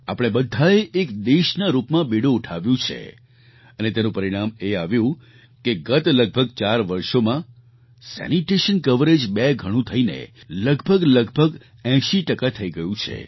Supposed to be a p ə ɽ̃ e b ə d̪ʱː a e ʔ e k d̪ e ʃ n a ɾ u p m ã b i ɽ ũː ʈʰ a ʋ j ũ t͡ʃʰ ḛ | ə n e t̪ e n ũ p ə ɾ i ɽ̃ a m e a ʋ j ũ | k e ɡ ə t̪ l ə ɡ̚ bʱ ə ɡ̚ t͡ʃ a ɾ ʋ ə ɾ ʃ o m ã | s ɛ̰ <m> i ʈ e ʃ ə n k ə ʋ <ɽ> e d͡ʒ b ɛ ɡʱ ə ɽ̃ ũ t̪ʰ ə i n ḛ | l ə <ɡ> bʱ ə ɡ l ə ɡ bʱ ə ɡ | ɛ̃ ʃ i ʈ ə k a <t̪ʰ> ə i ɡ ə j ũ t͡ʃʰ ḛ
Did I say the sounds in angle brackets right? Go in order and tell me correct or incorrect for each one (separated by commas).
incorrect, incorrect, correct, correct